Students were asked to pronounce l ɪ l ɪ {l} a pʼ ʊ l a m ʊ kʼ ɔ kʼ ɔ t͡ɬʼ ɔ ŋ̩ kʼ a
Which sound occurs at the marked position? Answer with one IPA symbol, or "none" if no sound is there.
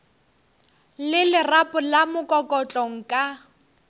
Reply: r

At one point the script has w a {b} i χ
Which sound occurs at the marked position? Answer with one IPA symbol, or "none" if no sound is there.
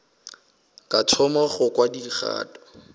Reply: d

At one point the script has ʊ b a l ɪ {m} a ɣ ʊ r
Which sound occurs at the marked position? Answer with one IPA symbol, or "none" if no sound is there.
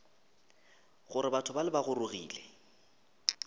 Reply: b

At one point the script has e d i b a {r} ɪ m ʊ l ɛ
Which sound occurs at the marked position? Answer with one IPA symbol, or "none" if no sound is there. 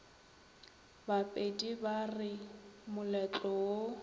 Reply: r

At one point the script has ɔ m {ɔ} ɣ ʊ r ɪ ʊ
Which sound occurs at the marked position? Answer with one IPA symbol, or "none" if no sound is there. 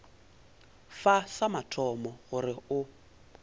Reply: ɔ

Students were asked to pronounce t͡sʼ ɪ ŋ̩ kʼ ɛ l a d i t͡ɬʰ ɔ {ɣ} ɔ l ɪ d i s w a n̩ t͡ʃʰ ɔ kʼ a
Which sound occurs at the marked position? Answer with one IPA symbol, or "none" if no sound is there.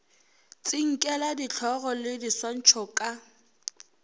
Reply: ɣ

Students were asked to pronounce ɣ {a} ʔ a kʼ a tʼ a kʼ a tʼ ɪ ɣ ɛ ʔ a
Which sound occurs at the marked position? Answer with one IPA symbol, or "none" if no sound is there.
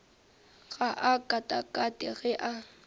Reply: a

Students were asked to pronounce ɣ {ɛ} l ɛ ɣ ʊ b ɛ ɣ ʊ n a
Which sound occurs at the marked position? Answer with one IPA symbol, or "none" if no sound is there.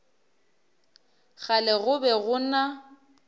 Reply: a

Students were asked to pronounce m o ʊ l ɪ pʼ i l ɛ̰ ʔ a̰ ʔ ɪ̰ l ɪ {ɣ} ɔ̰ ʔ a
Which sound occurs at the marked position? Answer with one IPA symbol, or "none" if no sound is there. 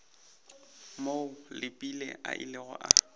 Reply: ɣ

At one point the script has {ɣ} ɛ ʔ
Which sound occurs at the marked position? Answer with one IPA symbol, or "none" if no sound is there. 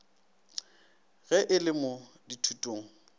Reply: ɣ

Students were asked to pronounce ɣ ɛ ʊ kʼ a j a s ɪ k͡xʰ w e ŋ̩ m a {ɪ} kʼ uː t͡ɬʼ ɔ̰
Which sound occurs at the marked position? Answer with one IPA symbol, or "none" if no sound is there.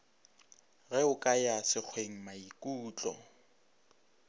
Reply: i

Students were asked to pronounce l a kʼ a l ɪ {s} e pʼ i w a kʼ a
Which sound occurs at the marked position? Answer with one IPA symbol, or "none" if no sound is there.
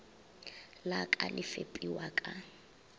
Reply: f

